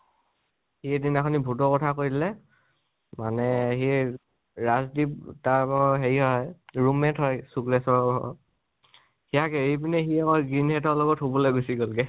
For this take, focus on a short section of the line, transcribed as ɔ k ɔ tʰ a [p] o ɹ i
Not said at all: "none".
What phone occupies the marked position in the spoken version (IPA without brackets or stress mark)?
k